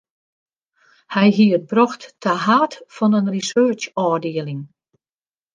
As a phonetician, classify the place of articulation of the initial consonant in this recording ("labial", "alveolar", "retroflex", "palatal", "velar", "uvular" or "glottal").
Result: glottal